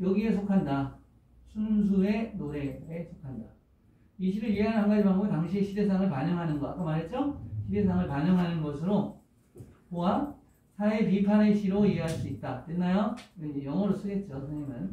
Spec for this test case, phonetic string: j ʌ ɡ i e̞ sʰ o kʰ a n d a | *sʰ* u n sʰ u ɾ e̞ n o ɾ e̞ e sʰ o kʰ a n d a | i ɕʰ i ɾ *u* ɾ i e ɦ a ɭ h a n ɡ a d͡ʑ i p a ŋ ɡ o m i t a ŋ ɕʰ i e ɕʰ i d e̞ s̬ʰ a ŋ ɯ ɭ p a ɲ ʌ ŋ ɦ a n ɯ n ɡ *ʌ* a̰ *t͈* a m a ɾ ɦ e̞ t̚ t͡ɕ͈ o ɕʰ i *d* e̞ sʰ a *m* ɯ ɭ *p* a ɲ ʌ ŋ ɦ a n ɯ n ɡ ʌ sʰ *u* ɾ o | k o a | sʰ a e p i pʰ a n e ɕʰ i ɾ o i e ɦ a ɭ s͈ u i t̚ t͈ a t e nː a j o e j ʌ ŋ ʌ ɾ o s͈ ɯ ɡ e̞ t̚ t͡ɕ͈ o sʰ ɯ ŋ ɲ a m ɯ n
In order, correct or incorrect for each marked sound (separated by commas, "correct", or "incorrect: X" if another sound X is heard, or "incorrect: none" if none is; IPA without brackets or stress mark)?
correct, incorrect: ɯ, correct, incorrect: k͈, correct, incorrect: ŋ, correct, incorrect: ɯ